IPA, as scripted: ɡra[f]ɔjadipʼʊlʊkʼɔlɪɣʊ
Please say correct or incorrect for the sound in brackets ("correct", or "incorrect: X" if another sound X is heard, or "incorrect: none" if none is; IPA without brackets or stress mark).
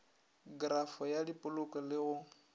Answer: correct